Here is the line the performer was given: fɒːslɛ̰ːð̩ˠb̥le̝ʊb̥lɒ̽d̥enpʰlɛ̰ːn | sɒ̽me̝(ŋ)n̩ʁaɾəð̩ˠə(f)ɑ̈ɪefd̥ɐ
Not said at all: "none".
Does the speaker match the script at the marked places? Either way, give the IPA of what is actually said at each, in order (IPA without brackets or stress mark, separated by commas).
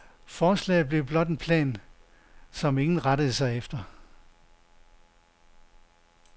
ŋ, s